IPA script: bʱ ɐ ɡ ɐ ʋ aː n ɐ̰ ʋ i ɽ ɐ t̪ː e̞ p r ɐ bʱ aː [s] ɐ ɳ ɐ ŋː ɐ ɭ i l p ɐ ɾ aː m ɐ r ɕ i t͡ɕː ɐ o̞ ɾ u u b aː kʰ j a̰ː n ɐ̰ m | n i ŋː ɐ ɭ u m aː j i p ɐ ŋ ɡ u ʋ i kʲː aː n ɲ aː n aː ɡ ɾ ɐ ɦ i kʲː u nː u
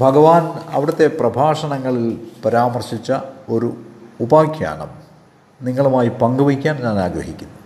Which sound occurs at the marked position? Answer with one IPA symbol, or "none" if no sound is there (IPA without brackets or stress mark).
ʂ